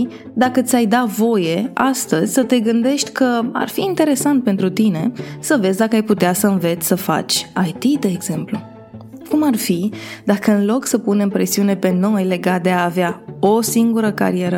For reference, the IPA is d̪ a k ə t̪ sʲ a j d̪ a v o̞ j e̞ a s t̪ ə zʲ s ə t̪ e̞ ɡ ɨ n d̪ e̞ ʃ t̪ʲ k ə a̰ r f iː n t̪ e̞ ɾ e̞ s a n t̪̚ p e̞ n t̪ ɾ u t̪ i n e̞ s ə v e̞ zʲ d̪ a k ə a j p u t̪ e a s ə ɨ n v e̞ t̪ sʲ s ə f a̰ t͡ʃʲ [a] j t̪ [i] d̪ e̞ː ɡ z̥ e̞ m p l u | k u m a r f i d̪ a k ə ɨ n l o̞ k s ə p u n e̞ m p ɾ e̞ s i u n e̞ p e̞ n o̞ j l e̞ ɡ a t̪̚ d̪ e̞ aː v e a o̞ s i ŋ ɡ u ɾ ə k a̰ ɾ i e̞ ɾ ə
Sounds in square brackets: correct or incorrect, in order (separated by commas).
correct, correct